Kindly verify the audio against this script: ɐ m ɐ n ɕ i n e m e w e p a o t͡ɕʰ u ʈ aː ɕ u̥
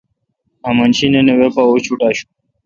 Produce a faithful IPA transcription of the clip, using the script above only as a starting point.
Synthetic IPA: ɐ m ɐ n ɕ i n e n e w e p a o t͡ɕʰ u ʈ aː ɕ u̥